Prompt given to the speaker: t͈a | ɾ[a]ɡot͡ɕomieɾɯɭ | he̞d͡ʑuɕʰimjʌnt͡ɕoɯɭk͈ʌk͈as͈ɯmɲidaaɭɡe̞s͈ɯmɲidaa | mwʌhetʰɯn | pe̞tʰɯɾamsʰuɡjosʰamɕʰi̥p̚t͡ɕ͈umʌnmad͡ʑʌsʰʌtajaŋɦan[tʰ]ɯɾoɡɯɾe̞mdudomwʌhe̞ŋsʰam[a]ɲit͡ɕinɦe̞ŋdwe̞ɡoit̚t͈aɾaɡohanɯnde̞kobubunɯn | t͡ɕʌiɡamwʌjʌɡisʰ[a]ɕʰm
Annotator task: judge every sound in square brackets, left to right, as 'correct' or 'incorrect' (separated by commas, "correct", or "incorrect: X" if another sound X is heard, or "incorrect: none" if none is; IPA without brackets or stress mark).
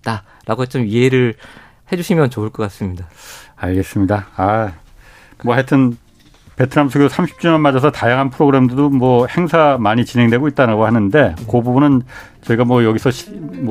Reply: correct, incorrect: pʰ, correct, incorrect: ʌ